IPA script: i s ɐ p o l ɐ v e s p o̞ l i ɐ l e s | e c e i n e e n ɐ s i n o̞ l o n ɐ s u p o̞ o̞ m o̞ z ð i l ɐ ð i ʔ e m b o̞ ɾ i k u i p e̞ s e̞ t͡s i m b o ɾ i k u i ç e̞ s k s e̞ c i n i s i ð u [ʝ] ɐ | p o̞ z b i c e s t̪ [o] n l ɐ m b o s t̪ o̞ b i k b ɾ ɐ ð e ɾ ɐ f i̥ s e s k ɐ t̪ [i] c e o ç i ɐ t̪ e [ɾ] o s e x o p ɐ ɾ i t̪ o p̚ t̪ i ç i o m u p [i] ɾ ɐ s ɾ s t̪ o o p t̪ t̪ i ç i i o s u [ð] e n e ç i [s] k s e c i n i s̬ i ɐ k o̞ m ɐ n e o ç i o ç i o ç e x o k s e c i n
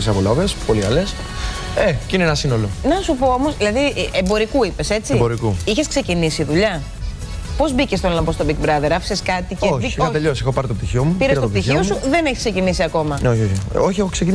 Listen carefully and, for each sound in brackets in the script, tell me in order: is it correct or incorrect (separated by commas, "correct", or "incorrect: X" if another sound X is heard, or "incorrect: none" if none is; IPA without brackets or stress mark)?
incorrect: ʎ, correct, correct, incorrect: ʎ, correct, correct, correct